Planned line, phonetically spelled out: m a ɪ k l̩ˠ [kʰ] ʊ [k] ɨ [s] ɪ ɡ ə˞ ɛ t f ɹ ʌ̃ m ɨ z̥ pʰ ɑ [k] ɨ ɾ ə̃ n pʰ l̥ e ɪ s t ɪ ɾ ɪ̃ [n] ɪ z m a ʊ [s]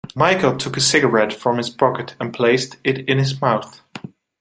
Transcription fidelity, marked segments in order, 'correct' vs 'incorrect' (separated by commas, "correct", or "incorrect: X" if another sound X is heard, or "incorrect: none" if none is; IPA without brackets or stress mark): incorrect: tʰ, correct, correct, correct, correct, incorrect: θ